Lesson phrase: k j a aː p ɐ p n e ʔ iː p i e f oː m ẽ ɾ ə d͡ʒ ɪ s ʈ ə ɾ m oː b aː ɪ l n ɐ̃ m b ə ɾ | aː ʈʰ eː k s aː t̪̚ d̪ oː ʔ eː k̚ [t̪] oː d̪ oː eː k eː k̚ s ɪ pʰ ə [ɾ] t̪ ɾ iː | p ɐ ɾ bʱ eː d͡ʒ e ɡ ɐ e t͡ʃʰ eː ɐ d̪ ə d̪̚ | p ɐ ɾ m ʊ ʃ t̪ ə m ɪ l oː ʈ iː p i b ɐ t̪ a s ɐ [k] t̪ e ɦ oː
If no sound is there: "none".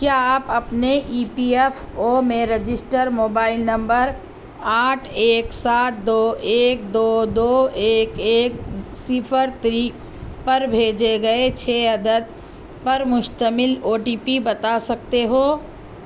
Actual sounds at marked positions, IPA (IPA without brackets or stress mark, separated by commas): d̪, ɾ, k